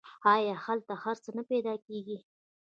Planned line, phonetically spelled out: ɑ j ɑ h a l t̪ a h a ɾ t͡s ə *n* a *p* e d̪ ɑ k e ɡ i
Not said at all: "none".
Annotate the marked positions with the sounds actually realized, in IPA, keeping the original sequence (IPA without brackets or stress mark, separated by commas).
n, p